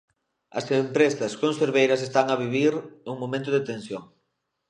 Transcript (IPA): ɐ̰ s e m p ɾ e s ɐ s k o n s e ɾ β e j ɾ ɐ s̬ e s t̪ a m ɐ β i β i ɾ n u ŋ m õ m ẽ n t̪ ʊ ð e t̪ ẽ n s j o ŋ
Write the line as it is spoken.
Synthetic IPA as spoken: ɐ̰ s e m p ɾ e s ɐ s k o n s e ɾ β e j ɾ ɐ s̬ e s t̪ a ŋ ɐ β i β i ɾ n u ŋ m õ m ẽ n t̪ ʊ ð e t̪ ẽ n s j o ŋ